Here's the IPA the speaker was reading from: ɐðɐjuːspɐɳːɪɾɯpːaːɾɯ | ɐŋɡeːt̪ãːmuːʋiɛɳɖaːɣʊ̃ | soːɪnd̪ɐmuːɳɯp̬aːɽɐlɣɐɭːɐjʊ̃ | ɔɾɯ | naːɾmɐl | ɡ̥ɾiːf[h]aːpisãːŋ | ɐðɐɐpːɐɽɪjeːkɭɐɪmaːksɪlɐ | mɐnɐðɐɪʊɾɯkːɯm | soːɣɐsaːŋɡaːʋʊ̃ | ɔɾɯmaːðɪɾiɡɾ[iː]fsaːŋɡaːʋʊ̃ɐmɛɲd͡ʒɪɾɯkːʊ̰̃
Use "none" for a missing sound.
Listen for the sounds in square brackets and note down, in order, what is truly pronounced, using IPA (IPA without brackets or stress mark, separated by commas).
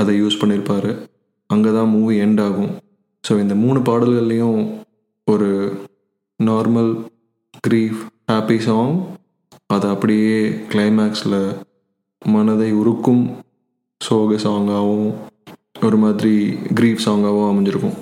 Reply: h, iː